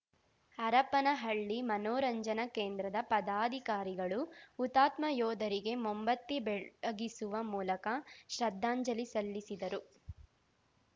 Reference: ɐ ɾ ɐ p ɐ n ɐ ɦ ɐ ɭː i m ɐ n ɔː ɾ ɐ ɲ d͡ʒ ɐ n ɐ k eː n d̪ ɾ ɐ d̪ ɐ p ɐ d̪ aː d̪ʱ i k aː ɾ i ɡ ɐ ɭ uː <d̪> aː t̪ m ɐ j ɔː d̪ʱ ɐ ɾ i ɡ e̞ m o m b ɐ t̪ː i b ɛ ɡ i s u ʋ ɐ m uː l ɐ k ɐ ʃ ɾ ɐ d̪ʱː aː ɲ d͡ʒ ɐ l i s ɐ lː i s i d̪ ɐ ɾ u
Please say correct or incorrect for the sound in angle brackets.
incorrect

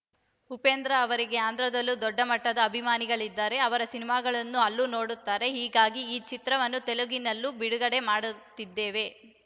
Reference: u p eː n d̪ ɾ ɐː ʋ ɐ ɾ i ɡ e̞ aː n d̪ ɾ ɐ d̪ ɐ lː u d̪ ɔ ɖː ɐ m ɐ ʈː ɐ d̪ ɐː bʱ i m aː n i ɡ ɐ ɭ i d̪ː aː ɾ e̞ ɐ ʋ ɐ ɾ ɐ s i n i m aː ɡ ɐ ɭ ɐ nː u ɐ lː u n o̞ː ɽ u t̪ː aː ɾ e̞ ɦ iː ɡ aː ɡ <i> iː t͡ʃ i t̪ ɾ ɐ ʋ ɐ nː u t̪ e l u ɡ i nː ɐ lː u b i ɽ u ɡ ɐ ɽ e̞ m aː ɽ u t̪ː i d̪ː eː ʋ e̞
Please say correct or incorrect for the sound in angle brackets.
correct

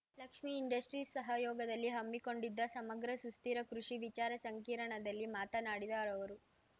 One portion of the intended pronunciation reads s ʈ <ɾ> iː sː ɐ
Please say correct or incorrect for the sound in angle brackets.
correct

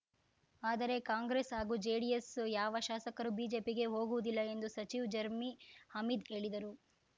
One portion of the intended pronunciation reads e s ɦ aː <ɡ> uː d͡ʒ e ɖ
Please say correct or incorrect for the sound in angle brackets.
correct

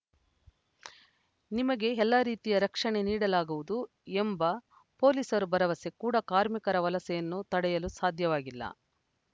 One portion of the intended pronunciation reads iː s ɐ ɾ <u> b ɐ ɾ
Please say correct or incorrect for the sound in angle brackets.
correct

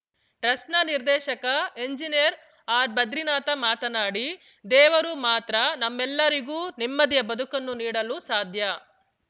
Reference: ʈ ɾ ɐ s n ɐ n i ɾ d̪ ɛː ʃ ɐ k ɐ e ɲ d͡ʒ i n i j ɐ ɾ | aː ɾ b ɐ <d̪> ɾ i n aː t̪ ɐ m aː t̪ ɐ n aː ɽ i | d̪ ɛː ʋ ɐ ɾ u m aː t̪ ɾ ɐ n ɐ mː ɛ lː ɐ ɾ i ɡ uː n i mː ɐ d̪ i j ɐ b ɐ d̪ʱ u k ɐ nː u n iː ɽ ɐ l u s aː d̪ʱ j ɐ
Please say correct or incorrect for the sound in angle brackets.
correct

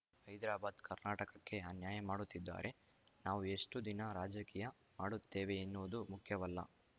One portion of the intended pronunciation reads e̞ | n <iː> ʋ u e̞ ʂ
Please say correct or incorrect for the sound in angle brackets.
incorrect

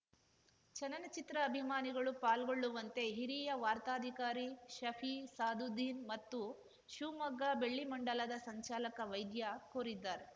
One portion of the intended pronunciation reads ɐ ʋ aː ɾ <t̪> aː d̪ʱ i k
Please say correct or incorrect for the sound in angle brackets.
correct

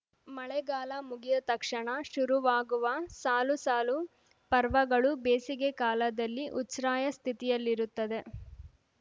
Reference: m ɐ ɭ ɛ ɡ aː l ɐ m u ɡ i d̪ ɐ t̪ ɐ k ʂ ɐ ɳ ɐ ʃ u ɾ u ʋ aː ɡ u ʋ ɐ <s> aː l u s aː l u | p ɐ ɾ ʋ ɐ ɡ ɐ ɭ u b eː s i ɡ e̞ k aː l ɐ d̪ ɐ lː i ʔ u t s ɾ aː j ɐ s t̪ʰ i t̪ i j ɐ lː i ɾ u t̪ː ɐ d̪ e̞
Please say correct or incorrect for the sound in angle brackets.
correct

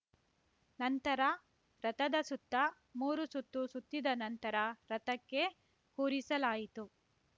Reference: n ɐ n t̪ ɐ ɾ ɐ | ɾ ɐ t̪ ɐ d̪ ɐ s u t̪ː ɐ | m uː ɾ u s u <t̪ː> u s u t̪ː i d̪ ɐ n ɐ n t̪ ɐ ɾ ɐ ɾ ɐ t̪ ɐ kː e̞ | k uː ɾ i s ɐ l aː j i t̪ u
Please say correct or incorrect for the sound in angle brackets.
correct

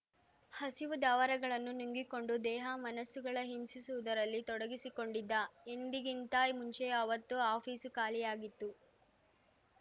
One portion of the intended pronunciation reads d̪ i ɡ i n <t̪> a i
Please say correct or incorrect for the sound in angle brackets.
correct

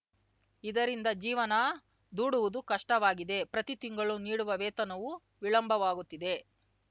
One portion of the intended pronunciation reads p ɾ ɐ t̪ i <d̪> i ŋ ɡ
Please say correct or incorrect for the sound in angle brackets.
incorrect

